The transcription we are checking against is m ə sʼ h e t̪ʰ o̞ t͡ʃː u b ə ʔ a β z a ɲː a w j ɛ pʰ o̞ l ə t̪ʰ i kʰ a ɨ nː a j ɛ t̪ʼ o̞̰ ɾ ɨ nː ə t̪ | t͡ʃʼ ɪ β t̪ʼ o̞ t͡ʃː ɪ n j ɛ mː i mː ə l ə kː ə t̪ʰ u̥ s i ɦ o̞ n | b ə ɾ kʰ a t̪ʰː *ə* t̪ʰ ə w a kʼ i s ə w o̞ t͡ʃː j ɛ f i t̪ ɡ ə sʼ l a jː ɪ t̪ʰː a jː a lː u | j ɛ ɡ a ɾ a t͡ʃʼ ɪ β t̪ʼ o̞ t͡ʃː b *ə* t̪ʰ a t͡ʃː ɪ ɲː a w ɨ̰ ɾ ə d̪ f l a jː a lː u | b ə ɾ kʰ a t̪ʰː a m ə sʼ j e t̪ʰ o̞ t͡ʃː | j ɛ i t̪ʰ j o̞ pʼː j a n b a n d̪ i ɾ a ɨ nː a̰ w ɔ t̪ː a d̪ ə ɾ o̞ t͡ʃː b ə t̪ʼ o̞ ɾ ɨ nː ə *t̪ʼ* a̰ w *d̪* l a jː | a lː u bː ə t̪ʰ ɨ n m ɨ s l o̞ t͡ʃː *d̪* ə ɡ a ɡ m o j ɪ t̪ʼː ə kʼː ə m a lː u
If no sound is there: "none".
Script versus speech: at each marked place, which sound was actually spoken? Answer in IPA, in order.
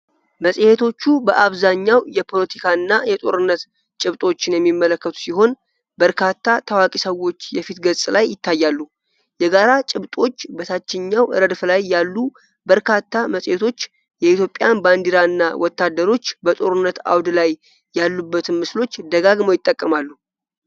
a, ə, t̪, d̪, d̪

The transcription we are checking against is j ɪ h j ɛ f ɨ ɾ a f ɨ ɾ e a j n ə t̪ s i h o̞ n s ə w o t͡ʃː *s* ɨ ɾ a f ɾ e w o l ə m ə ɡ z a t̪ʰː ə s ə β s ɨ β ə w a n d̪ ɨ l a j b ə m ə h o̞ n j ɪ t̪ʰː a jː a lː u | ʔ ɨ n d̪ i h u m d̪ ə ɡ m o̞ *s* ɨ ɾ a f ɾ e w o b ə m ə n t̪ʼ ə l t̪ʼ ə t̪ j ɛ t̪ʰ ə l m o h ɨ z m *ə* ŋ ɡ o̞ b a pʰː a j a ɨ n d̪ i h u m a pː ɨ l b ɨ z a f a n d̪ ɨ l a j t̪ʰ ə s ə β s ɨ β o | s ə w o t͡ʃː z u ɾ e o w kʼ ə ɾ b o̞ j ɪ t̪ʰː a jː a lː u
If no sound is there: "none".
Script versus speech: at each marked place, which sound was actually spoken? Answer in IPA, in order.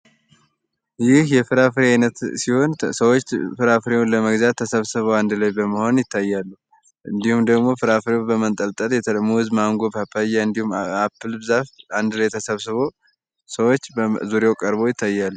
f, f, a

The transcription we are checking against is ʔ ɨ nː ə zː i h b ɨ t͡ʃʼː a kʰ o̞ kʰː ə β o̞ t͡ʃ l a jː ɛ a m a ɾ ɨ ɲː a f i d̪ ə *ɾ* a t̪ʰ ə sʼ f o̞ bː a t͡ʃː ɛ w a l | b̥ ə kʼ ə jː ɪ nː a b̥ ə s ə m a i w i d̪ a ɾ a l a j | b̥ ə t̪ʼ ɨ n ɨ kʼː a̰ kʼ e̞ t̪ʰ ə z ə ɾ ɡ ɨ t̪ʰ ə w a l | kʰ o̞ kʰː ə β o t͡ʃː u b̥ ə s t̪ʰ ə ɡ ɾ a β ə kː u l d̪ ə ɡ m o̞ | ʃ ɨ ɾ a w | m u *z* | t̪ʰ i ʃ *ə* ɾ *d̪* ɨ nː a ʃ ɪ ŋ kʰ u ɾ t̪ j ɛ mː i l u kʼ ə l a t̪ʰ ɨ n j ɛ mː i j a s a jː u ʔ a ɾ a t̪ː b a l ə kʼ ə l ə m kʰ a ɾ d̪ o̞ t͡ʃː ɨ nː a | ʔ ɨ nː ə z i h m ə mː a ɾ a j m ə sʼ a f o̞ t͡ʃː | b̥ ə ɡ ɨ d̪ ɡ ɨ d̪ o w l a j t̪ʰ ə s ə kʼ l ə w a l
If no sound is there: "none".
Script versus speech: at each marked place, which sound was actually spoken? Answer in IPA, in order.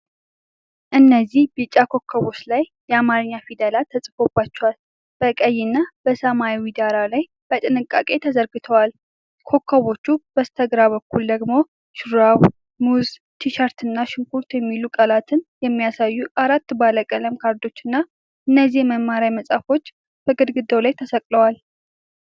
l, z, a, t̪

